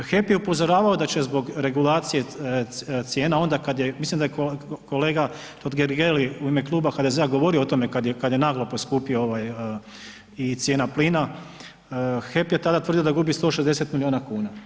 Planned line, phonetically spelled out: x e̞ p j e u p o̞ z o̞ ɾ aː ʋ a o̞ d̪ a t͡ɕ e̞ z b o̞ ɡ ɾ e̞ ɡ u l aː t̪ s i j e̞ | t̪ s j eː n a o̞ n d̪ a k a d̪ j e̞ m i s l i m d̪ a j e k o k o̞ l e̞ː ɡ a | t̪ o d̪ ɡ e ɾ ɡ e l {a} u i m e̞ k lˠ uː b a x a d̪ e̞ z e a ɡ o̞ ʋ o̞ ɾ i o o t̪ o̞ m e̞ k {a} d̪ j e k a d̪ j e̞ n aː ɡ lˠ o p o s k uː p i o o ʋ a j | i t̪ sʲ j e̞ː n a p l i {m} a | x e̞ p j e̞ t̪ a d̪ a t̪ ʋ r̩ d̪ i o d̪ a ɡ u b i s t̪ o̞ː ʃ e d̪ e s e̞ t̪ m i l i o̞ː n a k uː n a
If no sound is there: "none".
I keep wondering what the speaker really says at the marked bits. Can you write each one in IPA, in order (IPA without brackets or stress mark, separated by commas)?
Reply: i, a, n